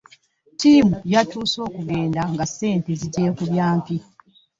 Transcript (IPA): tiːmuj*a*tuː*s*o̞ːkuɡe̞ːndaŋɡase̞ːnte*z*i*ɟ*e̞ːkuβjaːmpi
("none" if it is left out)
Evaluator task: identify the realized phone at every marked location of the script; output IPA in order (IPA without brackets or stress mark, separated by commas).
a, s, z, ɟ